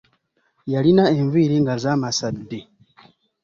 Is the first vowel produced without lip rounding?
yes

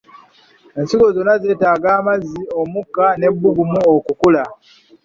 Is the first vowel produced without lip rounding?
yes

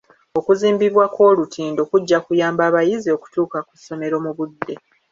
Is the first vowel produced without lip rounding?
no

